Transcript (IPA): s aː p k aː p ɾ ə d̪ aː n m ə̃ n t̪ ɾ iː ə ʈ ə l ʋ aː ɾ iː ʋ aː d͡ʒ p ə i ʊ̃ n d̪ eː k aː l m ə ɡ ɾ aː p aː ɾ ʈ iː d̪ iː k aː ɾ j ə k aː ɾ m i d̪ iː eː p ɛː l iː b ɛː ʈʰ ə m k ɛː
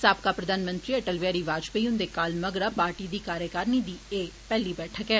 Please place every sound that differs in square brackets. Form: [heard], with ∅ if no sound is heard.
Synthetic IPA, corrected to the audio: s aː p k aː p ɾ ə d̪ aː n m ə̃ n t̪ ɾ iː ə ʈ ə l ʋ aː ɾ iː ʋ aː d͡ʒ p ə i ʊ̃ n d̪ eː k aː l m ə ɡ ɾ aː p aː ɾ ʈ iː d̪ iː k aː ɾ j ə k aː ɾ [n] i d̪ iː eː p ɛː l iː b ɛː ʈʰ ə [∅] k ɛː